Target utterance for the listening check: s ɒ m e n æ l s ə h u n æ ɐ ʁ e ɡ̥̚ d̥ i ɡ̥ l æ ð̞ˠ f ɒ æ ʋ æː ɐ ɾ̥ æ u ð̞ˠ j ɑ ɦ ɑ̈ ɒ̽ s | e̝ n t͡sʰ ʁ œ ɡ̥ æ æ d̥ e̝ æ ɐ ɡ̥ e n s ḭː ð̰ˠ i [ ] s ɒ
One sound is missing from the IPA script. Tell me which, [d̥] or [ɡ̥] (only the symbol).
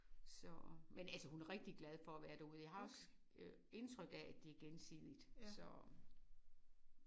d̥